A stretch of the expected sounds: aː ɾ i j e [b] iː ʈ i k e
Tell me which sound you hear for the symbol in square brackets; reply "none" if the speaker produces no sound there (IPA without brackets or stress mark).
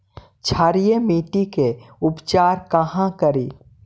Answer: m